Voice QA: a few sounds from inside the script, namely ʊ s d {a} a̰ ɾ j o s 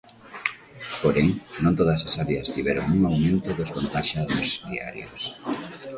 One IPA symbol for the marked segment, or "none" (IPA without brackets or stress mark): i